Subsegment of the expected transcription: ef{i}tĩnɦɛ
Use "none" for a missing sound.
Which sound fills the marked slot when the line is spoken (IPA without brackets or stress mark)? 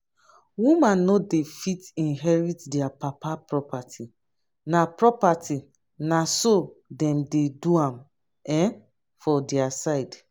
i